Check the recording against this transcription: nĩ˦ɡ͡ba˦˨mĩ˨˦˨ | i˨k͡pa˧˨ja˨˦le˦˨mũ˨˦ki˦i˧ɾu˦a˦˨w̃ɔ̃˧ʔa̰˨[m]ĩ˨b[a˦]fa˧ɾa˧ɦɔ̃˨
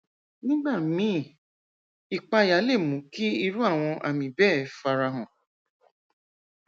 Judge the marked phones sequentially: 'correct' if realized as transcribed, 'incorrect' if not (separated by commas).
correct, incorrect